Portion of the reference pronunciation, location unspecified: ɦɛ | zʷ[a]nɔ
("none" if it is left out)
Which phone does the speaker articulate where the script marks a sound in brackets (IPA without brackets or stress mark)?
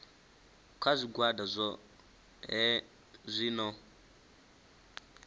i